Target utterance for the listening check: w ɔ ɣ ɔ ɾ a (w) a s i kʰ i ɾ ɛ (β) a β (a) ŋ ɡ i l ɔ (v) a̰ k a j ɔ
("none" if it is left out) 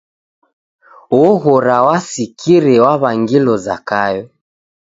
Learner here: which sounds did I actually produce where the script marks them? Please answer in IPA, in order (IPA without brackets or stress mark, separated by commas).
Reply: w, w, a, z